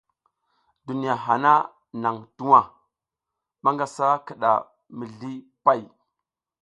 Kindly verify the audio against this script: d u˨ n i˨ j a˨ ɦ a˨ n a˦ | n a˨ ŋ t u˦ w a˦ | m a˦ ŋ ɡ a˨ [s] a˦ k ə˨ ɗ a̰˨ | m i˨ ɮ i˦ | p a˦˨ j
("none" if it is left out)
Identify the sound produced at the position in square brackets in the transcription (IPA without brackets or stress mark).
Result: s